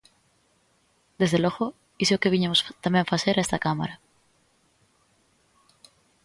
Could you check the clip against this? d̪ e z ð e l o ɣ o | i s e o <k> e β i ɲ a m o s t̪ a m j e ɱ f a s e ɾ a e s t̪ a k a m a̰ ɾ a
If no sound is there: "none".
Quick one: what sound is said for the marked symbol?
k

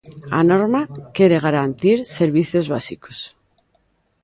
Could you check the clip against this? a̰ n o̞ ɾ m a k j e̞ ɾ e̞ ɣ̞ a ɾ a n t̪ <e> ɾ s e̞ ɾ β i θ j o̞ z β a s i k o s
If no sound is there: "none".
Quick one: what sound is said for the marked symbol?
i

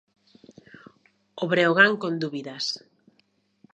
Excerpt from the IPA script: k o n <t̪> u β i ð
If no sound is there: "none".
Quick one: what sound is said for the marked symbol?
d̪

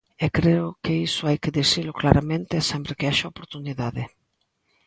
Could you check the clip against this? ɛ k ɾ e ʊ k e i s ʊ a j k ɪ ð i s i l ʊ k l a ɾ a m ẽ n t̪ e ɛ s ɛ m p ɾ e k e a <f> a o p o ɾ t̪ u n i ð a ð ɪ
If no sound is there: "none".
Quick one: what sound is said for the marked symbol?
ʃ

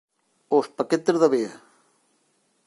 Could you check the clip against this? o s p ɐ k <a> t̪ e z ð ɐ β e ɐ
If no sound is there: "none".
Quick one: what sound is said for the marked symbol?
e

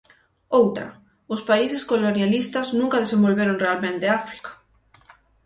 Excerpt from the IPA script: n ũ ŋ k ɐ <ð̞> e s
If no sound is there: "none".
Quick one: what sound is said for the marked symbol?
ð̞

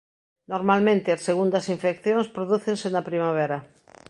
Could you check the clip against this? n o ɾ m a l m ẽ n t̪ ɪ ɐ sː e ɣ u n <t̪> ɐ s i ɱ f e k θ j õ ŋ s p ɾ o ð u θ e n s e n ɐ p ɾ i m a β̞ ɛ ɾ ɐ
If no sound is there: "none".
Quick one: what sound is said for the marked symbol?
d̪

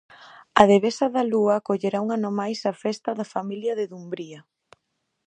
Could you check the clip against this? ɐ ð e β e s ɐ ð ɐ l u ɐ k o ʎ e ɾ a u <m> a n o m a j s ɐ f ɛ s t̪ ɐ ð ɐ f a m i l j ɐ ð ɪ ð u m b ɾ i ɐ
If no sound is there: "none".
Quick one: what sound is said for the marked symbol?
ŋ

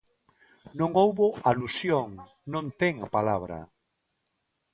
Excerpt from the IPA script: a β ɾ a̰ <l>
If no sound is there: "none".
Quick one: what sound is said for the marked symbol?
none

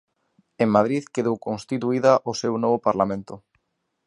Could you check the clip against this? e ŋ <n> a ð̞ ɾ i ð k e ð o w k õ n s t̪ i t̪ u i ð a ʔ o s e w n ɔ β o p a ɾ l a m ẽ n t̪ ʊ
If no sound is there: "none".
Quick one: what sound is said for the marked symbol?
m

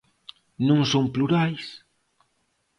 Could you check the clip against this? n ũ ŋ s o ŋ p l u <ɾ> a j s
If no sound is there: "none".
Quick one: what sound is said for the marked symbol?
ɾ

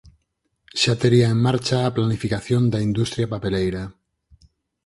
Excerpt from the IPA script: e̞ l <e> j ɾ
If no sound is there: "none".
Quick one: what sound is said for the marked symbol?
e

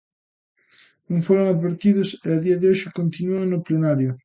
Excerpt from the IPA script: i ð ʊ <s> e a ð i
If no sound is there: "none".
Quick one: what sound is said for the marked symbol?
s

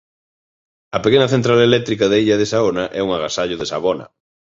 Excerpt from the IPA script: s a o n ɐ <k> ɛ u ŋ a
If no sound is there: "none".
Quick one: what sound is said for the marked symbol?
ʔ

